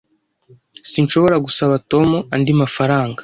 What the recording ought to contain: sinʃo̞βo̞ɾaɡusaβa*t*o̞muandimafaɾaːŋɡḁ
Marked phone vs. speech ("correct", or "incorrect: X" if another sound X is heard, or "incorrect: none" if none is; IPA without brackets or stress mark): correct